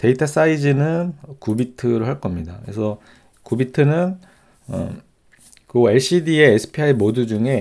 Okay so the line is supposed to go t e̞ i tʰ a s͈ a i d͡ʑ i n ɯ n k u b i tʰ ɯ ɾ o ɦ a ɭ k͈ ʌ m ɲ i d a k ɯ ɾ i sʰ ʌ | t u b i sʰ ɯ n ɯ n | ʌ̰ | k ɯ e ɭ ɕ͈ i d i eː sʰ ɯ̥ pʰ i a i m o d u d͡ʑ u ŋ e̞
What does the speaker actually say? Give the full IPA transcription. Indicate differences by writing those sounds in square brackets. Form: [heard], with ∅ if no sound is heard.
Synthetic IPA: t e̞ i tʰ a s͈ a i d͡ʑ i n ɯ n k u b i tʰ ɯ ɾ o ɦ a ɭ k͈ ʌ m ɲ i d a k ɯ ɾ [e] sʰ ʌ | [k] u b i [tʰ] ɯ n ɯ n | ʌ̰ | k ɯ e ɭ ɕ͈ i d i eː sʰ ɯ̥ pʰ i a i m o d u d͡ʑ u ŋ e̞

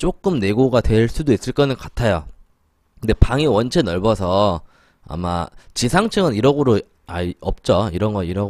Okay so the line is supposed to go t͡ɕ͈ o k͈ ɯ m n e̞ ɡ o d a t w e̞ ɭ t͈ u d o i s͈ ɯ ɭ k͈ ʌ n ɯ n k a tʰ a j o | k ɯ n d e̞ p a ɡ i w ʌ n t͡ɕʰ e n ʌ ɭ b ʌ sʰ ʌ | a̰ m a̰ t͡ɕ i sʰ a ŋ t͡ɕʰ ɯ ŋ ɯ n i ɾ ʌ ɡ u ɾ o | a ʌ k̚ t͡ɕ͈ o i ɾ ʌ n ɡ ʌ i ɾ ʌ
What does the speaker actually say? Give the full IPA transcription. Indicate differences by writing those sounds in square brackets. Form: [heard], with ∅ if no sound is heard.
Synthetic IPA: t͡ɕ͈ o k͈ ɯ m n e̞ ɡ o [ɡ] a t w e̞ ɭ [s͈] u d o i s͈ ɯ ɭ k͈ ʌ n ɯ n k a tʰ a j o | k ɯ n d e̞ p a [ŋ] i w ʌ n t͡ɕʰ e n ʌ ɭ b ʌ sʰ ʌ | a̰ m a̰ t͡ɕ i sʰ a ŋ t͡ɕʰ ɯ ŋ ɯ n i ɾ ʌ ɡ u ɾ o | a ʌ [p̚] t͡ɕ͈ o i ɾ ʌ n ɡ ʌ i ɾ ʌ

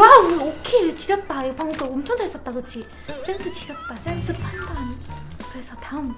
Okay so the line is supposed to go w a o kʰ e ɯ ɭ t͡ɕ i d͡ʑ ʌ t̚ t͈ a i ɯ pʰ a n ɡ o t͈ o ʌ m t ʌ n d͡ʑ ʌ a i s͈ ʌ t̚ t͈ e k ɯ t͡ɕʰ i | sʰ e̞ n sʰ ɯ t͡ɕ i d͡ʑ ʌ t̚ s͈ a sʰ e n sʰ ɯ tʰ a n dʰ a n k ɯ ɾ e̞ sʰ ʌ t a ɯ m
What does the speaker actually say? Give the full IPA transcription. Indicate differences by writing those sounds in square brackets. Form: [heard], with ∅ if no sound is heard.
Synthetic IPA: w a o kʰ e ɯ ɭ t͡ɕ i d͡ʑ ʌ t̚ t͈ a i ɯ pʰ a [ŋ] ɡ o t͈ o ʌ m [t͡ɕʰ] ʌ [ŋ] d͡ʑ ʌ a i s͈ ʌ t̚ t͈ [a] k ɯ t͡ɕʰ i | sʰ e̞ n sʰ ɯ t͡ɕ i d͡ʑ ʌ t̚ [t͈] a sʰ e n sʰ ɯ [pʰ] a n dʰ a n k ɯ ɾ e̞ sʰ ʌ t a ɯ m

